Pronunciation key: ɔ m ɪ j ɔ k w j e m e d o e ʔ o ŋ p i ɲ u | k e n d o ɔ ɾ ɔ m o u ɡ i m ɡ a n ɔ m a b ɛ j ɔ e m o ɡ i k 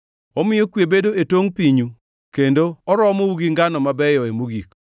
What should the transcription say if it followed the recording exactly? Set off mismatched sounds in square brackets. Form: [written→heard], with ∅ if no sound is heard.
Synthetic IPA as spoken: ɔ m ɪ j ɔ k w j e [m→b] e d o e [ʔ→t] o ŋ p i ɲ u | k e n d o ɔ ɾ ɔ m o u ɡ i [m→ŋ] ɡ a n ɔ m a b ɛ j ɔ e m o ɡ i k